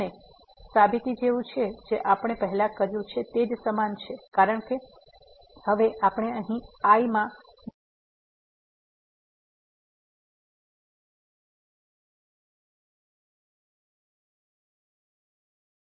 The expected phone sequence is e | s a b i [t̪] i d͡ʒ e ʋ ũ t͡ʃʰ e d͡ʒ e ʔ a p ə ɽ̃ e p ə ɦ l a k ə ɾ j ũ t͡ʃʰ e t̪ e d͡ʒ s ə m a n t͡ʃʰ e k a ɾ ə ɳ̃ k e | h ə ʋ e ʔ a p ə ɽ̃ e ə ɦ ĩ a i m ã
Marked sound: correct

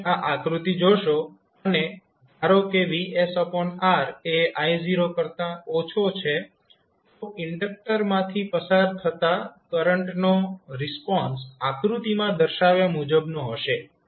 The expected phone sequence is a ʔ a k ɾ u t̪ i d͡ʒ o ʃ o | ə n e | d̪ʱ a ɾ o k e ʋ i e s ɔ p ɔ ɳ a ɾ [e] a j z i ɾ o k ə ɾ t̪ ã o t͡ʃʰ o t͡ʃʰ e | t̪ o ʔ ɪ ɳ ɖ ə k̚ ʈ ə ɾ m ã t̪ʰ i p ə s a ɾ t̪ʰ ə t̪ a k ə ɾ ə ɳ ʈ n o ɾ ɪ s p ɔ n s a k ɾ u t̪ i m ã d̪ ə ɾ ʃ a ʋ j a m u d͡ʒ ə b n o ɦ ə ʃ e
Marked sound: correct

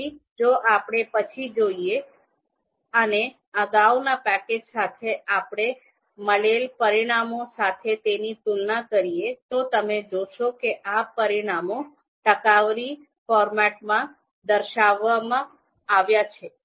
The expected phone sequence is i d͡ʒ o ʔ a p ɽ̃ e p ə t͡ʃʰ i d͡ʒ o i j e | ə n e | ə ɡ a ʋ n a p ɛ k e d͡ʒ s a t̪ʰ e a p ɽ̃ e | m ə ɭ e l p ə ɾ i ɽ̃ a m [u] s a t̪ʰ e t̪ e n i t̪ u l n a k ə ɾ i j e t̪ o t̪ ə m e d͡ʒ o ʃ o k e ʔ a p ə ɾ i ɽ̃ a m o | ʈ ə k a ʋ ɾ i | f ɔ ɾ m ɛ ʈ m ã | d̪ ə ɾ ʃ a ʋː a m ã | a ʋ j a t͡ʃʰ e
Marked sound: incorrect: o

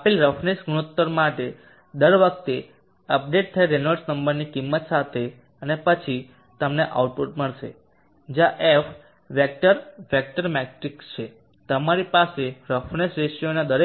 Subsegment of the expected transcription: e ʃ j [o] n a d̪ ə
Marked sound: correct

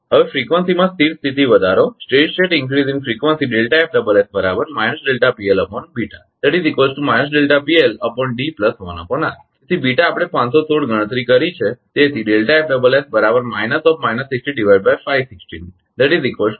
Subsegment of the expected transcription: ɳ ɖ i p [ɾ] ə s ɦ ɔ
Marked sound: incorrect: l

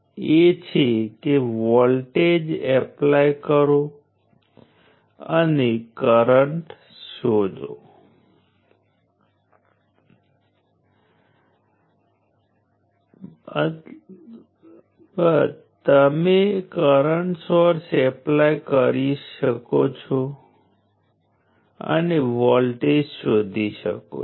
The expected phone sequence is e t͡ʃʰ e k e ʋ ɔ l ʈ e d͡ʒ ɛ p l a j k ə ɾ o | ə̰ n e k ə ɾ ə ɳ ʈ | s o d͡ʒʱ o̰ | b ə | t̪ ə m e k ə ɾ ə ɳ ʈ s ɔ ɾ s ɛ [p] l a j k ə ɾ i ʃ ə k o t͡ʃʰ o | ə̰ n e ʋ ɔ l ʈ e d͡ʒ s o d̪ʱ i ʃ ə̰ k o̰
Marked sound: correct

